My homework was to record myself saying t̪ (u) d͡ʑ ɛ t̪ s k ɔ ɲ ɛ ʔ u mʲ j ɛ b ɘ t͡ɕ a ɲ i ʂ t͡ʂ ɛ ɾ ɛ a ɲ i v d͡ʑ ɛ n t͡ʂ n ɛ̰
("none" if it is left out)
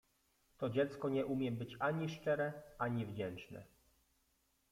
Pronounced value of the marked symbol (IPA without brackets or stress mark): ɔ